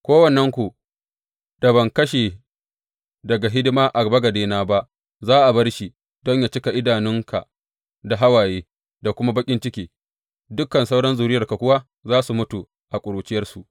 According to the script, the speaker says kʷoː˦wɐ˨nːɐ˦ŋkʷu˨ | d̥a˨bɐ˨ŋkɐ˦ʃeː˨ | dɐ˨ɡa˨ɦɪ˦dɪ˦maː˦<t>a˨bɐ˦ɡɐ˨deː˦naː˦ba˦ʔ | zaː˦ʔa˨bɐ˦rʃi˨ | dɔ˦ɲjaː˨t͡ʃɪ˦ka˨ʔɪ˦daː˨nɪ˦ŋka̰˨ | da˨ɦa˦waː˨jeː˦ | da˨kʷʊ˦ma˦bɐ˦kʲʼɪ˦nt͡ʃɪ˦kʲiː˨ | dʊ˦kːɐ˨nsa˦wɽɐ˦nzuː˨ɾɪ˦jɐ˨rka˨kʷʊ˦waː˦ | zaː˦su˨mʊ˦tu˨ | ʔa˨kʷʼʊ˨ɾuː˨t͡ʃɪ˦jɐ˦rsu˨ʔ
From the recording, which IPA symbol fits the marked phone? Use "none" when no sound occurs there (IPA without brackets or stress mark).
ʔ